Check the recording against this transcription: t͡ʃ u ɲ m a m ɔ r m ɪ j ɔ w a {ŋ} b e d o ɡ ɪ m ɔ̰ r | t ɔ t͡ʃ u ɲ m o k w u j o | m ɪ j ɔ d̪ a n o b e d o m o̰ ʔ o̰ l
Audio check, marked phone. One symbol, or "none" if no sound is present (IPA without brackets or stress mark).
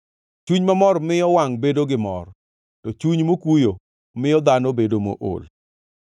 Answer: ŋ